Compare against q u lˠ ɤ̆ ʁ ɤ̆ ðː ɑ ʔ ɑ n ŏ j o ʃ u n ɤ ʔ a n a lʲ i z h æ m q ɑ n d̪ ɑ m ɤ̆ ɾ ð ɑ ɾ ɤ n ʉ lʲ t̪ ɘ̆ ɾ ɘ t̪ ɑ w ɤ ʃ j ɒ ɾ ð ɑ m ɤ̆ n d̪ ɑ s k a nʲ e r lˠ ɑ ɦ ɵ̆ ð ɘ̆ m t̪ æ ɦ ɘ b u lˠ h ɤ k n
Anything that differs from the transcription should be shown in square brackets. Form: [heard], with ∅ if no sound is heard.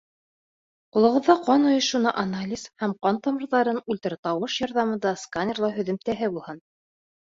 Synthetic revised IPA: q u lˠ ɤ̆ ʁ ɤ̆ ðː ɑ [q] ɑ n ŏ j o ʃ u n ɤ ʔ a n a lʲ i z h æ m q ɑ n [t̪] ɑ m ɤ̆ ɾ ð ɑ ɾ ɤ n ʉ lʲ t̪ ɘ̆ ɾ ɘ t̪ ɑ w ɤ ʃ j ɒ ɾ ð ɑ m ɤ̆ n d̪ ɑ s k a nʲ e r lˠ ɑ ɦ ɵ̆ ð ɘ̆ m t̪ æ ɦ ɘ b u lˠ h ɤ [∅] n